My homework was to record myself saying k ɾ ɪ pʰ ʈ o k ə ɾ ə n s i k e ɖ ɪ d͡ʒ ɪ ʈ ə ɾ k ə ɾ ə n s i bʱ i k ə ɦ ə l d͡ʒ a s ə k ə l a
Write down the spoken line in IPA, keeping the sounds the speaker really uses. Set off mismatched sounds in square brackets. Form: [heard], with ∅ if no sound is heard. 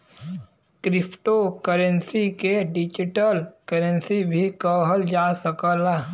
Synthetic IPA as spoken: k ɾ ɪ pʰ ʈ o k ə ɾ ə n s i k e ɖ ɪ d͡ʒ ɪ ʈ ə [l] k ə ɾ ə n s i bʱ i k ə ɦ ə l d͡ʒ a s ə k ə l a